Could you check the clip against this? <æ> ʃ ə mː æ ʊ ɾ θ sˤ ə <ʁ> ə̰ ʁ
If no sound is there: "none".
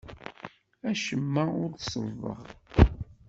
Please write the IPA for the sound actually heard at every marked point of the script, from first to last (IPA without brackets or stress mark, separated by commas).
æ, v